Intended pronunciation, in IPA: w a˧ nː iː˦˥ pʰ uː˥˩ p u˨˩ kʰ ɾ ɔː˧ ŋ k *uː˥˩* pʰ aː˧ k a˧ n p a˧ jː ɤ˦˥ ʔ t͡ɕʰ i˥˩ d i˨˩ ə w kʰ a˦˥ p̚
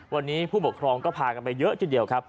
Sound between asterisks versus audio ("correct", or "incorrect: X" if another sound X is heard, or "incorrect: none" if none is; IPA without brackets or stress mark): incorrect: ɔː˥˩